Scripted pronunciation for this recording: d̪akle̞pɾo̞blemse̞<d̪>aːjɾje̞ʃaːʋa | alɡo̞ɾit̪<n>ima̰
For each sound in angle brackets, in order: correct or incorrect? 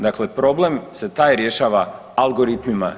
incorrect: t̪, incorrect: m

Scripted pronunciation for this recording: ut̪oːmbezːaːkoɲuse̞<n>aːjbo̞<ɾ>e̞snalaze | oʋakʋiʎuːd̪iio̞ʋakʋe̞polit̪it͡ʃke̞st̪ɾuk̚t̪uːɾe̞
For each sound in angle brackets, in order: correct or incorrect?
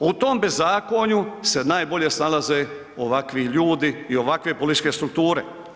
correct, incorrect: ʎ

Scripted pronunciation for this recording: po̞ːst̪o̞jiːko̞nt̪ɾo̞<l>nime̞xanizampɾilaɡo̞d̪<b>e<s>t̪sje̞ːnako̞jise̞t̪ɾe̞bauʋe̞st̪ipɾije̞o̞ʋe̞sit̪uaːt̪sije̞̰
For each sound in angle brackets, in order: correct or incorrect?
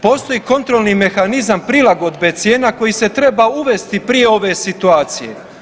correct, correct, incorrect: none

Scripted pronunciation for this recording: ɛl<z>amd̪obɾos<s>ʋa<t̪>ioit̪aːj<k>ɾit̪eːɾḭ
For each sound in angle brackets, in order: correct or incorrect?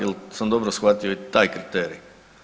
incorrect: s, incorrect: x, correct, correct

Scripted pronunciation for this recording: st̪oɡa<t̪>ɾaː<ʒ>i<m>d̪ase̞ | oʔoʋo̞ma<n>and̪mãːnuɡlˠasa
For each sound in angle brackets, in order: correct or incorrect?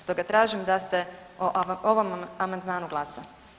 correct, correct, correct, incorrect: m

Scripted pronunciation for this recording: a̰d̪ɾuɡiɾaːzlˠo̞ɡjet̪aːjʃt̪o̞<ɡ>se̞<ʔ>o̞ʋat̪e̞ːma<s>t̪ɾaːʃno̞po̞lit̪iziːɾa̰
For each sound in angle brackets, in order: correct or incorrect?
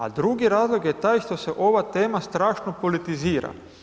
incorrect: none, correct, correct

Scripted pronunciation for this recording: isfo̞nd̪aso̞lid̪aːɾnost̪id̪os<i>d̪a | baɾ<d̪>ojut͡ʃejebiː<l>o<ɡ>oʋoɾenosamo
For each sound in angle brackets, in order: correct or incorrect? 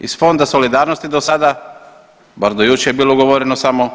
incorrect: a, correct, correct, correct

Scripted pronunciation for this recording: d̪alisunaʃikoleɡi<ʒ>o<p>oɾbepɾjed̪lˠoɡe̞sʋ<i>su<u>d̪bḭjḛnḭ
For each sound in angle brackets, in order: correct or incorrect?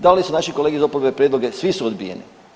incorrect: z, correct, correct, incorrect: o

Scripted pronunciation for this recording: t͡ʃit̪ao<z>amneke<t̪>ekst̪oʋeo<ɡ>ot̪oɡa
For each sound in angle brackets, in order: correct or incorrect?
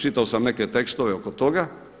incorrect: s, correct, incorrect: k

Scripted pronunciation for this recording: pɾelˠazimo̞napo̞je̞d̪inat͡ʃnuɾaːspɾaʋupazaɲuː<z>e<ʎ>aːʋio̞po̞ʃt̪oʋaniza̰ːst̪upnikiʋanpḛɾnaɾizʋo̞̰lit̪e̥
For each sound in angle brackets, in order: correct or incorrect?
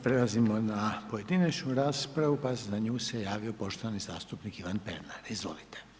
incorrect: s, incorrect: j

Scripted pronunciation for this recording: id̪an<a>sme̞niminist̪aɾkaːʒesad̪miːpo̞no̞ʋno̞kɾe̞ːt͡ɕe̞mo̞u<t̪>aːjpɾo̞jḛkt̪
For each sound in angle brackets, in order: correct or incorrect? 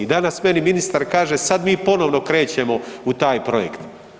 correct, correct

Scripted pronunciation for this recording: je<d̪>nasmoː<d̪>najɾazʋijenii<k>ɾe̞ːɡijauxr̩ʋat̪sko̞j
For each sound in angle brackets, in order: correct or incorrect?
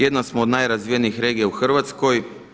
correct, correct, incorrect: x

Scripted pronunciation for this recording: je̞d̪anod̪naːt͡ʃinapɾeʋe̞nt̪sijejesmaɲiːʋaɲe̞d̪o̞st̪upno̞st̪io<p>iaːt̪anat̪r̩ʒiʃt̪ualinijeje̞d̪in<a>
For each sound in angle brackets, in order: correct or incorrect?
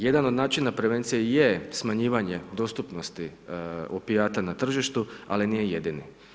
correct, incorrect: i

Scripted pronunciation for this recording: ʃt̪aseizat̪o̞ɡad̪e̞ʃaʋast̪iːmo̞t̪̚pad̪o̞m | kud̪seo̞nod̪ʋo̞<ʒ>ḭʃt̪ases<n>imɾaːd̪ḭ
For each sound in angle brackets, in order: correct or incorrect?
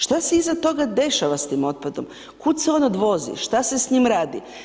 incorrect: z, incorrect: ɲ

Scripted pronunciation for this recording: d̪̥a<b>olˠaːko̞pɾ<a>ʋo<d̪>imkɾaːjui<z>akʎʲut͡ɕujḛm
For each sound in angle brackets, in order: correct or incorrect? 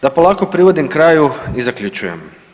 incorrect: p, incorrect: i, correct, correct

